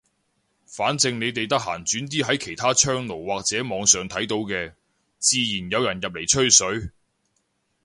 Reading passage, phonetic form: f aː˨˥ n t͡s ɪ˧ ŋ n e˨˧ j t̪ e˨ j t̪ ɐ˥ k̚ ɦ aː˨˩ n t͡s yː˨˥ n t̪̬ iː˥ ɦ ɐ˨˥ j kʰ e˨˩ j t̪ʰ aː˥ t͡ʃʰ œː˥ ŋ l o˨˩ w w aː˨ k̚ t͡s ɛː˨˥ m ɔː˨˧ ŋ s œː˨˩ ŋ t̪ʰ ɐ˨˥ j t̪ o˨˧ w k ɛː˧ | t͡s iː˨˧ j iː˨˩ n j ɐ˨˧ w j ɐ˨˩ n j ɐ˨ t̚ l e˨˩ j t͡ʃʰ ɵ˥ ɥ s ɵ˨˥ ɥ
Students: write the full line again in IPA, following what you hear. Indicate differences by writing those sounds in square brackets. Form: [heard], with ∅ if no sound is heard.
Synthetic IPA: f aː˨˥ n t͡s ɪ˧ ŋ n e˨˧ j t̪ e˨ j t̪ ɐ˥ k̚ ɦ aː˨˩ n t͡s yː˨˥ n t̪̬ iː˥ ɦ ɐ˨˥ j kʰ e˨˩ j t̪ʰ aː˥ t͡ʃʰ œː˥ ŋ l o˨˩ w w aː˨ k̚ t͡s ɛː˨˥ m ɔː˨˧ ŋ s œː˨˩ ŋ t̪ʰ ɐ˨˥ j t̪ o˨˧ w k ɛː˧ | t͡s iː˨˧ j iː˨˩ n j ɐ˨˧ w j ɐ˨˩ n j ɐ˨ [p̚] l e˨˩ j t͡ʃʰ ɵ˥ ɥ s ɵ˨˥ ɥ

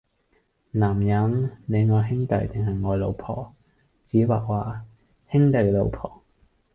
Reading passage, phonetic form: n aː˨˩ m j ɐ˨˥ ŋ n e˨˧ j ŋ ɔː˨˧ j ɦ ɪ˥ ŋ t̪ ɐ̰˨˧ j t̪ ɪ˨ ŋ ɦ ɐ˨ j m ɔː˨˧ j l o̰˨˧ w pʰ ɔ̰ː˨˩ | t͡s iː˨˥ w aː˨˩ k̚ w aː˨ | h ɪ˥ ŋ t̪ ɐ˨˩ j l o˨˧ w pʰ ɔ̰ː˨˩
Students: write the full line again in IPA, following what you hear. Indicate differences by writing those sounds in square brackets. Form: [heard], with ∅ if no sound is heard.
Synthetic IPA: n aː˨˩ m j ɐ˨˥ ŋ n e˨˧ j ŋ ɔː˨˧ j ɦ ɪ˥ ŋ t̪ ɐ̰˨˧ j t̪ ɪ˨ ŋ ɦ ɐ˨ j [ŋ] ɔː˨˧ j l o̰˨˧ w pʰ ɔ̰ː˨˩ | t͡s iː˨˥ w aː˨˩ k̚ w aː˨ | h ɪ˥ ŋ t̪ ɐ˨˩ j l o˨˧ w pʰ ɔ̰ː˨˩

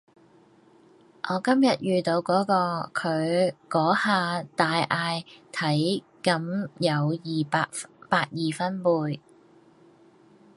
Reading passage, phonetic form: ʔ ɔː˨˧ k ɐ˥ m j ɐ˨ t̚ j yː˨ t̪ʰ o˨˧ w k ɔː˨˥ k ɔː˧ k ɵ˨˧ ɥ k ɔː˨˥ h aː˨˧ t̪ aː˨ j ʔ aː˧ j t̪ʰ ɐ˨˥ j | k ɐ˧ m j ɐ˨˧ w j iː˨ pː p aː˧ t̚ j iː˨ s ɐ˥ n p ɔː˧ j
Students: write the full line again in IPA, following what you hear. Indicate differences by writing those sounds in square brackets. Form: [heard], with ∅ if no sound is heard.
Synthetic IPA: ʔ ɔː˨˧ k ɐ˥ m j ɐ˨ t̚ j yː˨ [t̪] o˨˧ w k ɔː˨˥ k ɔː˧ [kʰ] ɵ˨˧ ɥ k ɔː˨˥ h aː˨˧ t̪ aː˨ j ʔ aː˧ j t̪ʰ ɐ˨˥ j | k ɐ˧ m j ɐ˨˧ w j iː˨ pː p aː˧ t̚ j iː˨ [f] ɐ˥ n p [uː˧] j

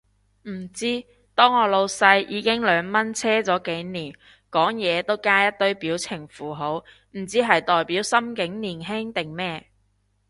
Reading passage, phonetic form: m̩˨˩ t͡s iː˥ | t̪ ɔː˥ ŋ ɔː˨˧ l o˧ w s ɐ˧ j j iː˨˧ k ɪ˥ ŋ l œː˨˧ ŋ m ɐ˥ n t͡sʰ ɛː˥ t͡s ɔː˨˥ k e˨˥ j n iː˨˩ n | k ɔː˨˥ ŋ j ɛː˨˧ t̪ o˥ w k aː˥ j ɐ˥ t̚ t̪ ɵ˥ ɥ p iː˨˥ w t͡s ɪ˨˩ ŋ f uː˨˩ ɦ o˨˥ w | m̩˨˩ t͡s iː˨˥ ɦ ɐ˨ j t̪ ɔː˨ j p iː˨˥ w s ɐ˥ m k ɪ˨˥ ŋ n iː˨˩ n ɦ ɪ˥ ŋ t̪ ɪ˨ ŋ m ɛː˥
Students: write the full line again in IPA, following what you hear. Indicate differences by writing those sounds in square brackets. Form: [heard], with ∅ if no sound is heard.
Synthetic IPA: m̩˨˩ t͡s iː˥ | t̪ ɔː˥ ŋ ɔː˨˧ l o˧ w s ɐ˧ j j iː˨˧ k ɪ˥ ŋ l œː˨˧ ŋ m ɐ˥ n t͡sʰ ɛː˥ t͡s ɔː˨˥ k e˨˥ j n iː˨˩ n | k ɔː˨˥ ŋ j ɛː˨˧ t̪ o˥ w k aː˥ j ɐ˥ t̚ t̪ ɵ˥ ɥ p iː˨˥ w [t͡sʰ] ɪ˨˩ ŋ f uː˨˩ ɦ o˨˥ w | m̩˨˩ t͡s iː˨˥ ɦ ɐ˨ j t̪ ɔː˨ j p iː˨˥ w s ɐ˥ m k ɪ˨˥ ŋ n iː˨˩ n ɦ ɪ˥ ŋ t̪ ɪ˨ ŋ m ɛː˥

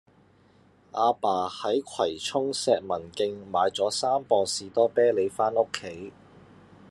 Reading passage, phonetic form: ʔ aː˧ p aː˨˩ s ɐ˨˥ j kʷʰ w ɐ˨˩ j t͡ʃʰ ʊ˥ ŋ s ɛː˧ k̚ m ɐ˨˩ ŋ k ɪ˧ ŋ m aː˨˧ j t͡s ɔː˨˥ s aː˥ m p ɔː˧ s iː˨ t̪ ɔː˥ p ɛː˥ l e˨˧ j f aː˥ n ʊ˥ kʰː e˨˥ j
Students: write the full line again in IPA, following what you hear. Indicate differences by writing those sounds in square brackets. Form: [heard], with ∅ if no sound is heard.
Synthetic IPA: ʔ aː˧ p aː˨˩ [h] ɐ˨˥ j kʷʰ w ɐ˨˩ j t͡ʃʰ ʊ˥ ŋ s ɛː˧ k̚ m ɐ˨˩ [n] k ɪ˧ ŋ m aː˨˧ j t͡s ɔː˨˥ s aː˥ m p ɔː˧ s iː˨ t̪ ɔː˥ p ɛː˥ l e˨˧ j f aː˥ n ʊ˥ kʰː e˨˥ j

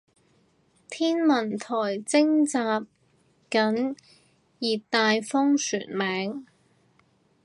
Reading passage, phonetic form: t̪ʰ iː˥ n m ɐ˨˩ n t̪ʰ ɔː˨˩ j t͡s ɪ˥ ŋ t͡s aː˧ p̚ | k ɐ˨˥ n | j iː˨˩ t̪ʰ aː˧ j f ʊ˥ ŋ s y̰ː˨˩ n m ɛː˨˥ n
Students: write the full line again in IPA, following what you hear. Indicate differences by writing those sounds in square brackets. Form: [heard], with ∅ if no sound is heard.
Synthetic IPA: t̪ʰ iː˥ n m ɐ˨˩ n t̪ʰ ɔː˨˩ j t͡s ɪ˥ ŋ t͡s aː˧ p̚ | k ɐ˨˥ n | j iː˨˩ [t̪] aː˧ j f ʊ˥ ŋ s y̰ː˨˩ n m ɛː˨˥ [ŋ]

